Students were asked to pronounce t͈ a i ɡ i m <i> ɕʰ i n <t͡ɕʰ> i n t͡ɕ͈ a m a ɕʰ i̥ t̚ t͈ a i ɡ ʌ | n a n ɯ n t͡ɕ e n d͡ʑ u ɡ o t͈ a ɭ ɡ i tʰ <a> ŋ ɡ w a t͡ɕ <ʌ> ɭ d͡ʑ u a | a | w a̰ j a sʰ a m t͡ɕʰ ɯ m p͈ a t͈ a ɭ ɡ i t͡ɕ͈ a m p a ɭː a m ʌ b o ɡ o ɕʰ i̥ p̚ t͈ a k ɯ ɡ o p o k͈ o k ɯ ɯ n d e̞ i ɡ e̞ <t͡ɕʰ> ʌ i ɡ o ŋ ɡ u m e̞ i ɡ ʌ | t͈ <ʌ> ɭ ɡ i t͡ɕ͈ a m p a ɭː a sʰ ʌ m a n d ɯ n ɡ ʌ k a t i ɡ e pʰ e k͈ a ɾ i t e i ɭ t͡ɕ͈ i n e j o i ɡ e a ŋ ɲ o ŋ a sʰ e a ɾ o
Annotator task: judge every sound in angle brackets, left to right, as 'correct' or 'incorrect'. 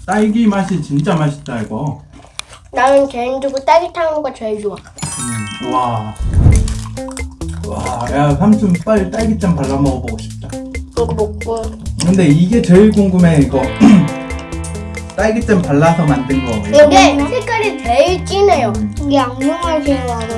incorrect: a, incorrect: t͡ɕ, correct, correct, incorrect: t͡ɕ, incorrect: a

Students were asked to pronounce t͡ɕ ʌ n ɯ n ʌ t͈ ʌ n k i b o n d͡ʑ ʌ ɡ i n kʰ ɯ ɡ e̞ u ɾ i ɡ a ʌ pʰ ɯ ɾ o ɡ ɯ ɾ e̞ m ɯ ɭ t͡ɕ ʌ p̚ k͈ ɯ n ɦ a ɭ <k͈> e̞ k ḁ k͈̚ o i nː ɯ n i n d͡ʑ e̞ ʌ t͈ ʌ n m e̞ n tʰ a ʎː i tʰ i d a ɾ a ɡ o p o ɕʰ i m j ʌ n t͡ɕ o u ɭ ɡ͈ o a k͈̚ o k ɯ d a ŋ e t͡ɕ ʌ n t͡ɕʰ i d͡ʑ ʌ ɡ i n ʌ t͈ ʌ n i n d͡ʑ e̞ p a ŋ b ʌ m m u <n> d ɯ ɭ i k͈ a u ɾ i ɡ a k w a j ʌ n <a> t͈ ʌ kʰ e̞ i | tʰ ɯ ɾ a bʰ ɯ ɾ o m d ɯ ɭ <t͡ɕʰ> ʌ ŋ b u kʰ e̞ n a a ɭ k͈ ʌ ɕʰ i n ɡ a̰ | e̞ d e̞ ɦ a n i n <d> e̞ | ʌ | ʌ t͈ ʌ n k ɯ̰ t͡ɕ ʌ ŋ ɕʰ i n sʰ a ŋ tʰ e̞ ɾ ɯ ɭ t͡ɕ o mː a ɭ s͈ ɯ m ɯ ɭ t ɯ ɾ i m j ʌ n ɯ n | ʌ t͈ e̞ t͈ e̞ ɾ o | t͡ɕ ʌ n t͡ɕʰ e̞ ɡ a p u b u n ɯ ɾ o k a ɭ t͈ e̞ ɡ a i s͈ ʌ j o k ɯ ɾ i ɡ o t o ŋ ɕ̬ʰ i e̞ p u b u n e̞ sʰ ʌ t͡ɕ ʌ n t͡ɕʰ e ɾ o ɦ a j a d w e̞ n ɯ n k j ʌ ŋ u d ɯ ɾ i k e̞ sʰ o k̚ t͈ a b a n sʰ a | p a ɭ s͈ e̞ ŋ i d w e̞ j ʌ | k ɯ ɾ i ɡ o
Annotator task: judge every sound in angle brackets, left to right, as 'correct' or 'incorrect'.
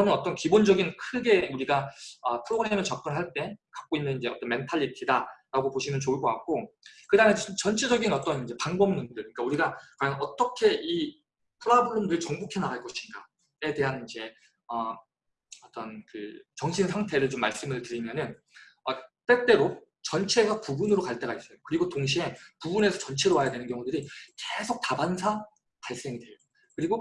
incorrect: t͈, correct, incorrect: ʌ, incorrect: t͡ɕ, incorrect: d͡ʑ

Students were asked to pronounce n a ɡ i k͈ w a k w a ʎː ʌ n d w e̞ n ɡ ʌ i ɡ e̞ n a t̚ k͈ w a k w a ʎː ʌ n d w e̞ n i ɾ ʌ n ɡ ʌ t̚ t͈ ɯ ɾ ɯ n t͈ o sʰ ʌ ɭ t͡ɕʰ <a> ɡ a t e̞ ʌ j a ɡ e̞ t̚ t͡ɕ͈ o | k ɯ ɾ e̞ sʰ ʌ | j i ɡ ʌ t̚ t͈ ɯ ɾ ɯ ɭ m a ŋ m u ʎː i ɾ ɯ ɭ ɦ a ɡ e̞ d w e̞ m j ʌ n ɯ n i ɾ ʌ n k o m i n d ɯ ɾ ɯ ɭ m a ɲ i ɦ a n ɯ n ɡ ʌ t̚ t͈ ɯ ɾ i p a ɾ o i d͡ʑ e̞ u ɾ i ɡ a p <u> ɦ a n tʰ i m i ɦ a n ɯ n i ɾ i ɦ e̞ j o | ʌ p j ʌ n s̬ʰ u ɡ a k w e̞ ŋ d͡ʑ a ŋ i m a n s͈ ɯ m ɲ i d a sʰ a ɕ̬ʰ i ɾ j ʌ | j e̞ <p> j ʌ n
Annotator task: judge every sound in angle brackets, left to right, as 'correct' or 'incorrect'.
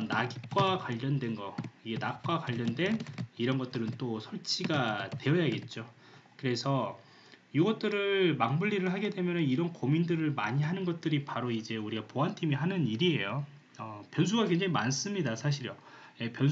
incorrect: i, incorrect: o, correct

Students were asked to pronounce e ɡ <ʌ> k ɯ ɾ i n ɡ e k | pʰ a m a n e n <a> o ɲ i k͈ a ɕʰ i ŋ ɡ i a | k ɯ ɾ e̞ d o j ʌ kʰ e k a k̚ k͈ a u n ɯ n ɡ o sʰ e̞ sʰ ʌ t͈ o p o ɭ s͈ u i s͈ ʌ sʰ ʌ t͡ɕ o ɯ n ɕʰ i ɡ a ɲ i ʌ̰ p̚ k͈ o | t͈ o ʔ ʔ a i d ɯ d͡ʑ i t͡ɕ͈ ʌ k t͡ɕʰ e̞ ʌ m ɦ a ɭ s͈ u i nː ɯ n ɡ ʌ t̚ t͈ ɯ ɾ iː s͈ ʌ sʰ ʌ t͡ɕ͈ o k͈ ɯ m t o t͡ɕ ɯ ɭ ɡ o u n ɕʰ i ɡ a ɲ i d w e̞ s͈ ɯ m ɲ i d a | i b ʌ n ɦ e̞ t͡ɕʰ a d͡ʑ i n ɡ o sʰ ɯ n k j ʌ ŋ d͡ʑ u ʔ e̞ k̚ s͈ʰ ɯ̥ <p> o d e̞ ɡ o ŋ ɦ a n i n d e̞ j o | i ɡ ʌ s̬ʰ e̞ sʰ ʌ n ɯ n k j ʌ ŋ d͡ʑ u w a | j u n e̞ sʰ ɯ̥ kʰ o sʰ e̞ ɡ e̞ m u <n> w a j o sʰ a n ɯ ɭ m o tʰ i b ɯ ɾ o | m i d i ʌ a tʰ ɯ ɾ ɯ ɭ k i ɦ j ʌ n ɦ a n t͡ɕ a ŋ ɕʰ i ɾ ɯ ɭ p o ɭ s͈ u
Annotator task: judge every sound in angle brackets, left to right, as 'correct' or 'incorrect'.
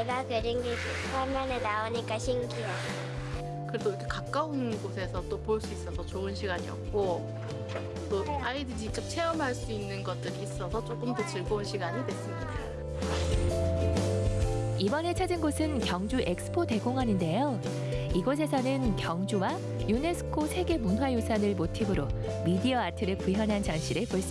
incorrect: a, correct, incorrect: pʰ, correct

